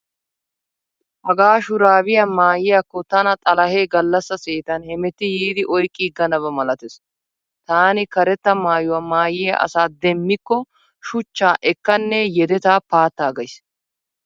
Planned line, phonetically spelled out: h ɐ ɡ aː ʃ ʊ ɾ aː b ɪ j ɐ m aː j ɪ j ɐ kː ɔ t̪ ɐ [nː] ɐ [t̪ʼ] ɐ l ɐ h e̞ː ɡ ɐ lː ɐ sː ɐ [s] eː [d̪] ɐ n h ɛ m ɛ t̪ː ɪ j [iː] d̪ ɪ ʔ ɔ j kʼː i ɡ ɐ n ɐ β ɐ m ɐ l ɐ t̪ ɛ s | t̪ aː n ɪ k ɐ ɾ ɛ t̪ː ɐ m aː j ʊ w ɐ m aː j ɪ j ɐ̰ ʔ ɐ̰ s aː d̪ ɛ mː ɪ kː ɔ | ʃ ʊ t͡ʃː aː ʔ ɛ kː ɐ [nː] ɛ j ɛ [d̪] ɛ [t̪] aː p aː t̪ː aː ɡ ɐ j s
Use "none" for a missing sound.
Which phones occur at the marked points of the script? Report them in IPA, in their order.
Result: n, t̪ʼ, s, t̪, iː, nː, d̪, t̪

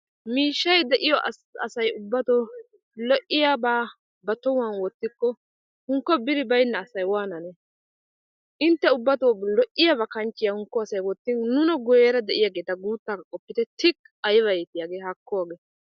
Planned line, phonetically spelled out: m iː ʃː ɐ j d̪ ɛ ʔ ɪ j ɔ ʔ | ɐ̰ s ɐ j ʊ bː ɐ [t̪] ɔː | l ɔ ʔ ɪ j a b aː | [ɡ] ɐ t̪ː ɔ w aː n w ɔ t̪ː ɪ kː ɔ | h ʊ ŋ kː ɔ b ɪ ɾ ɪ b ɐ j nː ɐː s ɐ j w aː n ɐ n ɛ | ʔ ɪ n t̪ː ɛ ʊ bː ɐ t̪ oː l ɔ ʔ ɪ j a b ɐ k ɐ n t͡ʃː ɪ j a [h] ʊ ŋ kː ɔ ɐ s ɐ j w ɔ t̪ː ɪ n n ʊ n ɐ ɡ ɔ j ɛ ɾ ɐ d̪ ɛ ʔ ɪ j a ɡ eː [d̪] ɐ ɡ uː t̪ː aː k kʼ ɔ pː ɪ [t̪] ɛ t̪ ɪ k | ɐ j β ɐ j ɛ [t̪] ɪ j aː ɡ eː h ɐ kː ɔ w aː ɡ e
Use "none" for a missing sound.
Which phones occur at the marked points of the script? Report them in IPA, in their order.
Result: t̪, b, h, t̪, t̪, t̪

